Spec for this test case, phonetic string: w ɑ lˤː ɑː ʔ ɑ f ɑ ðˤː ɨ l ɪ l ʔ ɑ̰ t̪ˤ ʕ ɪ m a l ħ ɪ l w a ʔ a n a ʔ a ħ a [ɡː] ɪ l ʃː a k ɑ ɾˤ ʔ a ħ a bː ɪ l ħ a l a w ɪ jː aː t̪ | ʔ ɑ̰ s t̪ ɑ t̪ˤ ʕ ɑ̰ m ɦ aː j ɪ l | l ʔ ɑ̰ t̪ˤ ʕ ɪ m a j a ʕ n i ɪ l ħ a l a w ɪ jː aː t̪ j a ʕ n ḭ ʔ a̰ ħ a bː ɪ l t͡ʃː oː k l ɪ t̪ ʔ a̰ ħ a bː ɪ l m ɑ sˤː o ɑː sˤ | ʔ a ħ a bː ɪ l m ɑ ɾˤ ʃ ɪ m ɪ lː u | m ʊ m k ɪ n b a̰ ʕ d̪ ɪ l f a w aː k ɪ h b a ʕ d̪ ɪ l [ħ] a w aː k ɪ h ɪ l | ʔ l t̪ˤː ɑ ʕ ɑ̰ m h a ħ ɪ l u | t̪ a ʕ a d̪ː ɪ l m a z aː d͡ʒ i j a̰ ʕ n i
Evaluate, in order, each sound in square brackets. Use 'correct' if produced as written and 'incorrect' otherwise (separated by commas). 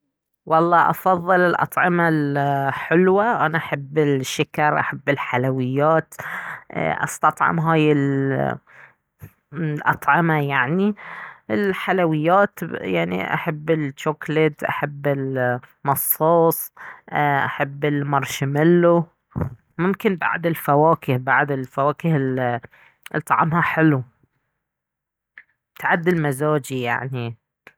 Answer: incorrect, incorrect